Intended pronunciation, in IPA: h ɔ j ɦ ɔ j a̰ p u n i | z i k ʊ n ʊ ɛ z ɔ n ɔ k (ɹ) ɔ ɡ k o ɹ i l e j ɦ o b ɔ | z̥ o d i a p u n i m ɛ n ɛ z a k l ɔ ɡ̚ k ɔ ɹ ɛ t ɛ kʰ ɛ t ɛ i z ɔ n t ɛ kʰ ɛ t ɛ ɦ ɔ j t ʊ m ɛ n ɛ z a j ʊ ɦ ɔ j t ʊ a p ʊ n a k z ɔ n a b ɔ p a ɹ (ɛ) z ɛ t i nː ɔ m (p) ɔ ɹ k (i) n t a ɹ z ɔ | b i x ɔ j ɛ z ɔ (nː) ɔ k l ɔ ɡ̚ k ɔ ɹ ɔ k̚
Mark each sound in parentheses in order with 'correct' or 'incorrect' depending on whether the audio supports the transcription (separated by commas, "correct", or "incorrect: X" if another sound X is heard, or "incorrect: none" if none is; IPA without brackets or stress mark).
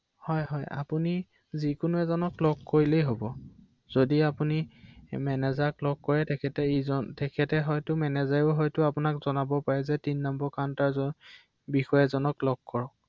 incorrect: l, correct, incorrect: b, incorrect: a, incorrect: n